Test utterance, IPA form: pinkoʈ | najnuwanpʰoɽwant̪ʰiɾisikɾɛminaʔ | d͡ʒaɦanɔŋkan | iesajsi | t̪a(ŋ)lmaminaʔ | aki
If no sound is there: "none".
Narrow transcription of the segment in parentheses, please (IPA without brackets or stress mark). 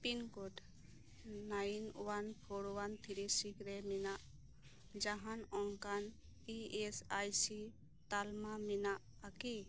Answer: none